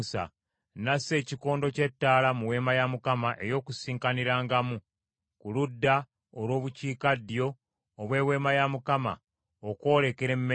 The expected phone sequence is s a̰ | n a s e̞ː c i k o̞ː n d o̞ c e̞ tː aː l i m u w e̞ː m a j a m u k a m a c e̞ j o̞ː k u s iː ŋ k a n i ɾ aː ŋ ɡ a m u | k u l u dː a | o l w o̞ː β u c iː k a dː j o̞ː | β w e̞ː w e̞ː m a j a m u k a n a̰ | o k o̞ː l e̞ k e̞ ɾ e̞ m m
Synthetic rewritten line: s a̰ | n a s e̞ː c i k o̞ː n d o̞ c e̞ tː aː l a m u w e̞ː m a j a m u k a m a ʔ e̞ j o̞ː k u s iː ŋ k a n i ɾ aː ŋ ɡ a m u | k u l u dː a | o l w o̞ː β u c iː k a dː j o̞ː | β w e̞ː w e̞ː m a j a m u k a m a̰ | o k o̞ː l e̞ k e̞ ɾ e̞ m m